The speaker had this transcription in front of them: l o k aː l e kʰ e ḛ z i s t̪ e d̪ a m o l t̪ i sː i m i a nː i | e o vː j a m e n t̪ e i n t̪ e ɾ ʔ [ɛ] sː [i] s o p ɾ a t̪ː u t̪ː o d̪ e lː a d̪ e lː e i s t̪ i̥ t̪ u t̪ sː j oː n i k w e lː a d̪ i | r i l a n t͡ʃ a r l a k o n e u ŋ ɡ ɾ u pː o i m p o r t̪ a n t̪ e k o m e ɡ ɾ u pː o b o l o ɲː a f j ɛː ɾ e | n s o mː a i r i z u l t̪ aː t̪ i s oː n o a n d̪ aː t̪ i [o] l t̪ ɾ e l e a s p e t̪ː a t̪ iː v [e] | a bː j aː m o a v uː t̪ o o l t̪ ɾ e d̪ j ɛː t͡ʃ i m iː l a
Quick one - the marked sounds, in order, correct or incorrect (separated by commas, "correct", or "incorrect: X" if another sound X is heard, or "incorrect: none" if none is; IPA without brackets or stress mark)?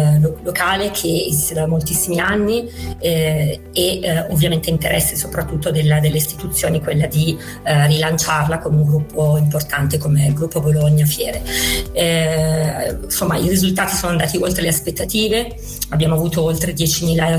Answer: correct, incorrect: e, correct, correct